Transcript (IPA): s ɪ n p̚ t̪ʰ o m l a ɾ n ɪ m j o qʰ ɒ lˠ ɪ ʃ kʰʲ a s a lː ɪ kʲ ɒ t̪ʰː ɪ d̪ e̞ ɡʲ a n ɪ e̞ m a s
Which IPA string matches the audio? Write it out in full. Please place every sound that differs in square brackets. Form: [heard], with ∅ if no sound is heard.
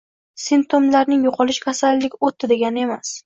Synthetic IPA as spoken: s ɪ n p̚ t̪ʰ o m l a ɾ n ɪ [ŋ] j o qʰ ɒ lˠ ɪ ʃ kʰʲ a s a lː ɪ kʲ [o] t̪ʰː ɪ d̪ e̞ ɡʲ a n ɪ e̞ m a s